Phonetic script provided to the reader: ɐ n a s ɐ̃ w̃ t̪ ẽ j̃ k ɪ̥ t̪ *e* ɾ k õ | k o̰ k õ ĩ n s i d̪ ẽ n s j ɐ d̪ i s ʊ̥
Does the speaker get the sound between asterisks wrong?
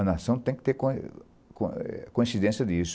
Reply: no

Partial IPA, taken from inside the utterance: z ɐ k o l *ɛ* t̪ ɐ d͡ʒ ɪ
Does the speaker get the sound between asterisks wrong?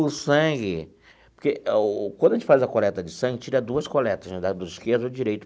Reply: no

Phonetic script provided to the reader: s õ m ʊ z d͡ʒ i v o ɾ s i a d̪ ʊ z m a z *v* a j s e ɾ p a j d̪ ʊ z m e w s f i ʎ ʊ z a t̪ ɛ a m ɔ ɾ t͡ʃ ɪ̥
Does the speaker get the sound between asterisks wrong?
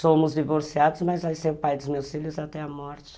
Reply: no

